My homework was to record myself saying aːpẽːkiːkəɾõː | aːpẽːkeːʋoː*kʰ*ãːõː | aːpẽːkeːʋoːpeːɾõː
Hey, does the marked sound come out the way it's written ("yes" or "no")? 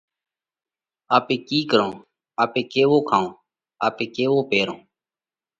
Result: yes